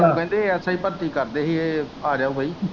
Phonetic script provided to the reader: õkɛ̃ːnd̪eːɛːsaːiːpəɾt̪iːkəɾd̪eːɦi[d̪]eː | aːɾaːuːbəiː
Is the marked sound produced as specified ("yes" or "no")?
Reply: no